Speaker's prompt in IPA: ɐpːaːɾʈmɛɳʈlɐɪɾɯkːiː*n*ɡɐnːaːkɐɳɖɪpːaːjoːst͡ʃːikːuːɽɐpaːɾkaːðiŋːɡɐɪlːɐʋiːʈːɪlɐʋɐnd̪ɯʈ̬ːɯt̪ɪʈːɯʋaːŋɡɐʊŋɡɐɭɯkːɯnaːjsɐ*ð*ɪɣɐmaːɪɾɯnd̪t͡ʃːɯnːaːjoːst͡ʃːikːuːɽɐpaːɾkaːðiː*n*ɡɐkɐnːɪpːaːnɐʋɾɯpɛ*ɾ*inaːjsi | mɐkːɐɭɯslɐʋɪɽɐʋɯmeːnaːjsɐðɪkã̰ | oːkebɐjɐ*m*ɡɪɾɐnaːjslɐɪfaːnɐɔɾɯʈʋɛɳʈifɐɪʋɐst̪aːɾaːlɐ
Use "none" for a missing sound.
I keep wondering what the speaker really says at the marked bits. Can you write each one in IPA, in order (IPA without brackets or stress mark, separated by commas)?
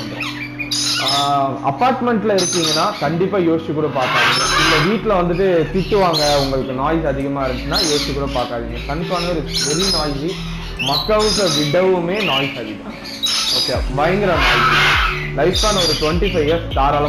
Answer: ŋ, ð, ŋ, ɾ, ŋ